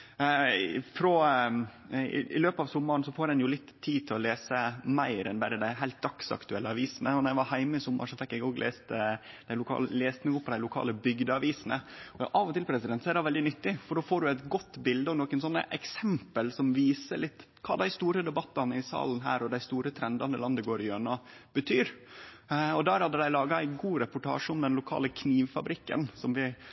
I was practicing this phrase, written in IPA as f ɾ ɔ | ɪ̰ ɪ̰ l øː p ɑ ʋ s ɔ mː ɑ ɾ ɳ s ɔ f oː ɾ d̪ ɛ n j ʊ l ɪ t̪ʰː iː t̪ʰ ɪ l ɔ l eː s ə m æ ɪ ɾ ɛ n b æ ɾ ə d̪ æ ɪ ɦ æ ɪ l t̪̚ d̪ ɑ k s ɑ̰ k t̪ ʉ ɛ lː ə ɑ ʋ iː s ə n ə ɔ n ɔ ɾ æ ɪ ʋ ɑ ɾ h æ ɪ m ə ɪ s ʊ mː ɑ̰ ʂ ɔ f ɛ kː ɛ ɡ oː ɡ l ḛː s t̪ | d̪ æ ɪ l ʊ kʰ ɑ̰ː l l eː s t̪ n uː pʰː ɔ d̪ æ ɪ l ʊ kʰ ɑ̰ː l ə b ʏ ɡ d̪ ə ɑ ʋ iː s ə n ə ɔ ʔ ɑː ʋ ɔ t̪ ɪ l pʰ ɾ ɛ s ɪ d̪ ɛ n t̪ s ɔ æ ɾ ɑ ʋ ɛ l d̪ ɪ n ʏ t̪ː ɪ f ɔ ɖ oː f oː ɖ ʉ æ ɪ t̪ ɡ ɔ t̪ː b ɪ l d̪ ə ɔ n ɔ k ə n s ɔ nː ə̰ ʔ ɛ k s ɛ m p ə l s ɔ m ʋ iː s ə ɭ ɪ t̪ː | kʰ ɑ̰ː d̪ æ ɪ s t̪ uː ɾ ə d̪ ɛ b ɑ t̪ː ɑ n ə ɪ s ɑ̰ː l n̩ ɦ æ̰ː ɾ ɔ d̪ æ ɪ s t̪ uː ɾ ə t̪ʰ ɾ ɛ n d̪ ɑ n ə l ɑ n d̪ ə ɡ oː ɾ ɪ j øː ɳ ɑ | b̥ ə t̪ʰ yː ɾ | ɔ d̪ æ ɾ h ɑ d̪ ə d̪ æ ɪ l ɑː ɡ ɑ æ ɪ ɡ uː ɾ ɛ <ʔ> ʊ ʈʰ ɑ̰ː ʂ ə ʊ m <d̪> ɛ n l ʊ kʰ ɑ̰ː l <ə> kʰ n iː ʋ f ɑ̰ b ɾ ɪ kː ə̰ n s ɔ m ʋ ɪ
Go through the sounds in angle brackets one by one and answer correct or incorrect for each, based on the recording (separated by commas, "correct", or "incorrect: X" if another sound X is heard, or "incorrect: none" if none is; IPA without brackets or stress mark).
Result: incorrect: p, correct, correct